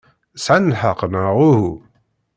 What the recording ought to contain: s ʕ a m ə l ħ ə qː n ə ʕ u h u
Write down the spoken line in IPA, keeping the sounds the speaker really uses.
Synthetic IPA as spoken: s ʕ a n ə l ħ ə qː n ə ʁ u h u